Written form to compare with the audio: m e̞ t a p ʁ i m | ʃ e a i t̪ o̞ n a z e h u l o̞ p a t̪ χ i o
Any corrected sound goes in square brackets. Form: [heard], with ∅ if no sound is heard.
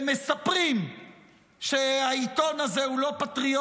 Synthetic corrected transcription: m e̞ [s] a p ʁ i m | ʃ e a i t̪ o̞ n a z e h u l o̞ p a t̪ [ʁ] i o